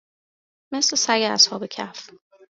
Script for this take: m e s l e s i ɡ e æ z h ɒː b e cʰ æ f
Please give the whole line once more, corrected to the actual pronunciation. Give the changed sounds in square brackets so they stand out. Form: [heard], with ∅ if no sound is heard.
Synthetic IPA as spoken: m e s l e s [æ] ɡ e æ [s] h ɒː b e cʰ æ f